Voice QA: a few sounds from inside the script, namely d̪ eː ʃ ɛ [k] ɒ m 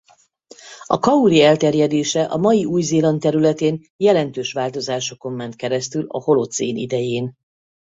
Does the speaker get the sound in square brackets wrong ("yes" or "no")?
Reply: yes